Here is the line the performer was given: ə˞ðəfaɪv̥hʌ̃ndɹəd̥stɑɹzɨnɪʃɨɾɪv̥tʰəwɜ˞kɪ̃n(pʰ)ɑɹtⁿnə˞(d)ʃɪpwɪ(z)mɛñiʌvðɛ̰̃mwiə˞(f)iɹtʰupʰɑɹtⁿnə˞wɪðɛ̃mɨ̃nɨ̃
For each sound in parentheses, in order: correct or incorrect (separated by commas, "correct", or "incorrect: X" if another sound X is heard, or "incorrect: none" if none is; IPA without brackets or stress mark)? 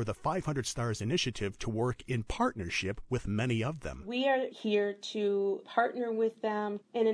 correct, incorrect: none, incorrect: ð, incorrect: h